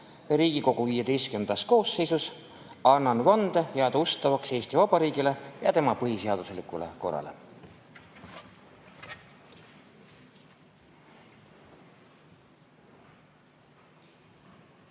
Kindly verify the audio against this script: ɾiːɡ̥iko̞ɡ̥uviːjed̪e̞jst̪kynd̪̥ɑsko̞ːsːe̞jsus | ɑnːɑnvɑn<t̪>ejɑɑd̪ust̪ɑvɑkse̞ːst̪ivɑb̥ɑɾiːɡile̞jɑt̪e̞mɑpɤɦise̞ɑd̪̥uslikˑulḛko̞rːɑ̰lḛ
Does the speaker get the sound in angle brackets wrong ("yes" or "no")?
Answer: yes